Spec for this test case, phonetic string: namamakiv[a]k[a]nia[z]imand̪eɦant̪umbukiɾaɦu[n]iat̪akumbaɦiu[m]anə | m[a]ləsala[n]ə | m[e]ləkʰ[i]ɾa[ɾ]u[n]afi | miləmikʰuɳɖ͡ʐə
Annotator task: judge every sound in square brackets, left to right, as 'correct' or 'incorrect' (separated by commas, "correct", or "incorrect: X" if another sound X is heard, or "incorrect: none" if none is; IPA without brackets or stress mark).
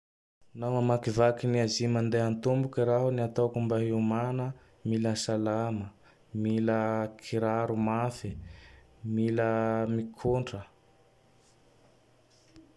correct, incorrect: i, correct, correct, correct, incorrect: i, incorrect: m, incorrect: i, correct, correct, incorrect: m